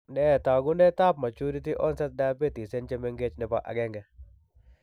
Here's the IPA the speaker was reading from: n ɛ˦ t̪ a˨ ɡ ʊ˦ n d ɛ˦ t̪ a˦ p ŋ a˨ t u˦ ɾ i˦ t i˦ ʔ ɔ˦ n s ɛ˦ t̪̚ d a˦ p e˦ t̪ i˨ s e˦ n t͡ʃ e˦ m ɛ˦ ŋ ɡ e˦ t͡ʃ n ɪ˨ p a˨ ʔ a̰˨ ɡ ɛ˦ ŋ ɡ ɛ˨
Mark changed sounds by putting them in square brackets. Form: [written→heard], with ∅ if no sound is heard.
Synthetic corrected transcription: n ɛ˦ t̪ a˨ ɡ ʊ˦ n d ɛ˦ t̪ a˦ p [ŋ→m] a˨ [t→t͡ʃ] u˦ ɾ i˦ t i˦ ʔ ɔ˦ n s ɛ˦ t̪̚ d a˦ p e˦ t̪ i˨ s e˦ n t͡ʃ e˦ m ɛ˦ ŋ ɡ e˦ t͡ʃ n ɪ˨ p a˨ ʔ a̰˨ ɡ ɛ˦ ŋ ɡ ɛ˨